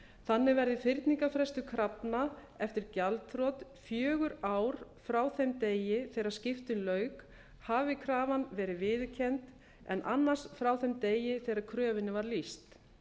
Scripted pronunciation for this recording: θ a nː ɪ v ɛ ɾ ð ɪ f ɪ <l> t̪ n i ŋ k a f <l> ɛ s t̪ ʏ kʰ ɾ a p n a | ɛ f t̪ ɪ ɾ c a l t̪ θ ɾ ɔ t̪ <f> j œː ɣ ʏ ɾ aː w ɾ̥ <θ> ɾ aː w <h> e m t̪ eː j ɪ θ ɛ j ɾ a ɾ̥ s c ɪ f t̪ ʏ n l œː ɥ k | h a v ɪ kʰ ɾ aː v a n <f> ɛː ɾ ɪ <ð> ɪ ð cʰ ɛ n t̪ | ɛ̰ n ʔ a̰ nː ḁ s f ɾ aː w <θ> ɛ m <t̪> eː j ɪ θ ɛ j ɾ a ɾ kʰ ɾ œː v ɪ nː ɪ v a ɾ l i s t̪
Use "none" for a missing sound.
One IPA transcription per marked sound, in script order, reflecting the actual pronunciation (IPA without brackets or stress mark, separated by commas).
ɾ, ɾ, f, f, θ, v, v, θ, t̪